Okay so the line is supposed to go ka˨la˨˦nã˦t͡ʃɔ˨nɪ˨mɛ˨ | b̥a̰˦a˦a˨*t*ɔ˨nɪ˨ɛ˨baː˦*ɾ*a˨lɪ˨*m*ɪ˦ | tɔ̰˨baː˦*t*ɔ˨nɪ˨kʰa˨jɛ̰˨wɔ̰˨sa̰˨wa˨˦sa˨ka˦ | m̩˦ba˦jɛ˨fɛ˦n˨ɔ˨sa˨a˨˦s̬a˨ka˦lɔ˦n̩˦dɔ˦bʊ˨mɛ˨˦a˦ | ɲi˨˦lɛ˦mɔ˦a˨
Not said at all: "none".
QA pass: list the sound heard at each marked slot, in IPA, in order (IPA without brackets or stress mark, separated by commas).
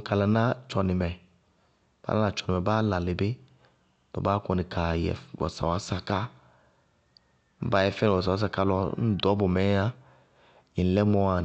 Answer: t͡ʃ, l, b, k